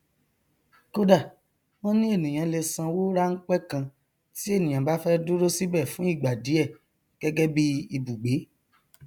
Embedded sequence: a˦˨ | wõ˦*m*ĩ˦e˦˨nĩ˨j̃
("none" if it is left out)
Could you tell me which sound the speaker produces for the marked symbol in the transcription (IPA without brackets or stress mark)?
n